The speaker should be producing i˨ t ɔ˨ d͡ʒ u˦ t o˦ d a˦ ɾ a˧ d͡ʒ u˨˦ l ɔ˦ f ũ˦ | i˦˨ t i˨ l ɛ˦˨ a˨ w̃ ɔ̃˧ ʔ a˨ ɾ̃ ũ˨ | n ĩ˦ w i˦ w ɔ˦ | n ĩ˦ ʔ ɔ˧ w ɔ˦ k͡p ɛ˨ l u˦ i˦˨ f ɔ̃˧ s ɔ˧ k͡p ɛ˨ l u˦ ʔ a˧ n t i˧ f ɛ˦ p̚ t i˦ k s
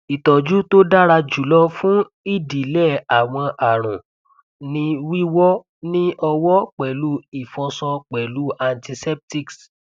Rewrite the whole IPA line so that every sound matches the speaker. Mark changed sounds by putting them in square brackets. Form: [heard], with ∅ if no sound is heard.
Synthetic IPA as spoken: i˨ t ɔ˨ d͡ʒ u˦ t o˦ d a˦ ɾ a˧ d͡ʒ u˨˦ l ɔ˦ f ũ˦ | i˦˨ [d] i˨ l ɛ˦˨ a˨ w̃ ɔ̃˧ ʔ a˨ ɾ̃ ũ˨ | n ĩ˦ w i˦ w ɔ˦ | n ĩ˦ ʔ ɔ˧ w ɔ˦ k͡p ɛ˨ l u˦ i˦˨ f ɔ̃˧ s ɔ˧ k͡p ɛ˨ l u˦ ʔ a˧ n t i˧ [s] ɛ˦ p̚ t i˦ k s